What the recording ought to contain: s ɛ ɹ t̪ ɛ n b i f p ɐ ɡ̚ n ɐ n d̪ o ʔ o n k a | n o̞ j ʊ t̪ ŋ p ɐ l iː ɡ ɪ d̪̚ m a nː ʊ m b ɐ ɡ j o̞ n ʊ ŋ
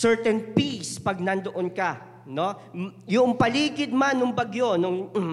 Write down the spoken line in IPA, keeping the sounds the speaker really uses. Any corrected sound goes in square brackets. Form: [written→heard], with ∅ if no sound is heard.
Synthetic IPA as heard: s ɛ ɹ t̪ ɛ n [b→p] i [f→s] p ɐ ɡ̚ n ɐ n d̪ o ʔ o n k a | n o̞ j ʊ [t̪→∅] ŋ p ɐ l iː ɡ ɪ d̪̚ m a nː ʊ [m→ŋ] b ɐ ɡ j o̞ n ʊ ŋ